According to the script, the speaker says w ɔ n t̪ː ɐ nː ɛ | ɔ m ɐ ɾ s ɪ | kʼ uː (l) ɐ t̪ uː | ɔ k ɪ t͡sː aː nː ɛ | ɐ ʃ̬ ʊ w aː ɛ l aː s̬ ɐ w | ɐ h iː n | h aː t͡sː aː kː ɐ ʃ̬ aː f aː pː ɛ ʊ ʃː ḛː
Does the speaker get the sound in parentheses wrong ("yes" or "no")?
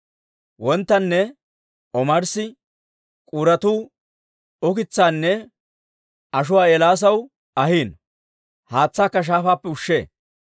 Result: yes